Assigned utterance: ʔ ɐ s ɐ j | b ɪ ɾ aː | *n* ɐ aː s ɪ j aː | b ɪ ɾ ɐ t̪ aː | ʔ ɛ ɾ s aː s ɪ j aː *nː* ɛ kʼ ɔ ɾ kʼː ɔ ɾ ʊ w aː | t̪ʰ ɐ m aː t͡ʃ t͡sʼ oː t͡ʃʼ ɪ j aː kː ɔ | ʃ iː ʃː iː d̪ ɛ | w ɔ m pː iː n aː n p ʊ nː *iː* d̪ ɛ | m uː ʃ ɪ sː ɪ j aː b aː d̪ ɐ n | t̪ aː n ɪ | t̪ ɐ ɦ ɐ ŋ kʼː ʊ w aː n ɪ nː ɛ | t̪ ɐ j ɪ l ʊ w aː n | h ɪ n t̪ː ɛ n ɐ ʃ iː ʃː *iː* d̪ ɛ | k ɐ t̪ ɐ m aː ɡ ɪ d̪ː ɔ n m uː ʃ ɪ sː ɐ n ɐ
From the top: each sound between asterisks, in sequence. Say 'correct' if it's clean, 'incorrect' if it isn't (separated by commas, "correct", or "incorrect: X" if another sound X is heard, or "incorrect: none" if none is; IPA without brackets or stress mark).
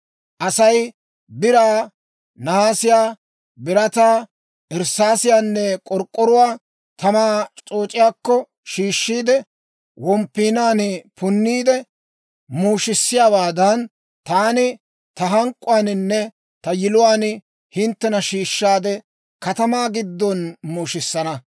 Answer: correct, correct, correct, incorrect: aː